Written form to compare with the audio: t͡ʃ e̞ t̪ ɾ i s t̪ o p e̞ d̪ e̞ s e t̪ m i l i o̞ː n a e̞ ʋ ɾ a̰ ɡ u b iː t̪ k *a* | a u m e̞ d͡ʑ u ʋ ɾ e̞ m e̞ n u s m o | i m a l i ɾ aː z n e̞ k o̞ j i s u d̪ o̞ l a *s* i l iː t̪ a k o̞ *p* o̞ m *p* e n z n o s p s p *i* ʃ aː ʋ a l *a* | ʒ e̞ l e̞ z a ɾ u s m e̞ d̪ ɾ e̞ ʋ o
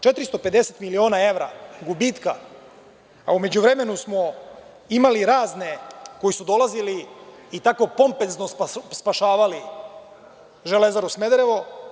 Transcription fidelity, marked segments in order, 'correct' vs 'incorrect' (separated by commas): correct, incorrect, correct, correct, incorrect, incorrect